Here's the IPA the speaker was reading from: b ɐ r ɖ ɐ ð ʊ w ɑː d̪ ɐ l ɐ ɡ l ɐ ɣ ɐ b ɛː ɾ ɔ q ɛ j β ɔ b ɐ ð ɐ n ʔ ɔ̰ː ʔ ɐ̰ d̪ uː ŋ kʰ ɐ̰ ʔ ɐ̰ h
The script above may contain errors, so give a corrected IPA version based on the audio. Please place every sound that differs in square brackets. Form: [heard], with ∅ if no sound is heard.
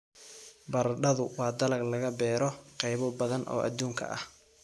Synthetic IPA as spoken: b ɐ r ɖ ɐ ð ʊ w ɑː d̪ ɐ l ɐ ɡ l ɐ ɣ ɐ b ɛː ɾ ɔ q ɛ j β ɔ b ɐ ð ɐ n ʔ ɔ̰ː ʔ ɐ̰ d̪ uː ŋ kʰ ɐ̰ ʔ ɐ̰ h